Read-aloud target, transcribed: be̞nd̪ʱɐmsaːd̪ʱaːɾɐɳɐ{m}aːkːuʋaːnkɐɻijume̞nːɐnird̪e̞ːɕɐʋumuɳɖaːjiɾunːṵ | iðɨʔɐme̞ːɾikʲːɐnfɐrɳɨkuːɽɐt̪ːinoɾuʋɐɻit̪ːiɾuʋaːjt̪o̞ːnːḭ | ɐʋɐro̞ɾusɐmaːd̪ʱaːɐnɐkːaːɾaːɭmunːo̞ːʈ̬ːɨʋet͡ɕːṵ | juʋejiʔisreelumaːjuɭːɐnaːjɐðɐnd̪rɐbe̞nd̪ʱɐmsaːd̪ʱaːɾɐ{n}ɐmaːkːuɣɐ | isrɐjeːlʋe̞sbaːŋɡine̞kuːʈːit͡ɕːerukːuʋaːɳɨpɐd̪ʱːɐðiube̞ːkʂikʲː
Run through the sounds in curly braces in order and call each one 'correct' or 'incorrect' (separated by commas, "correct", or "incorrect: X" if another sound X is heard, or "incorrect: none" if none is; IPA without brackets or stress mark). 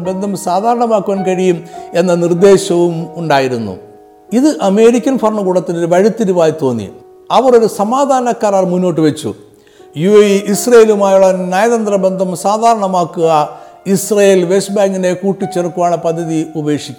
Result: correct, incorrect: ɳ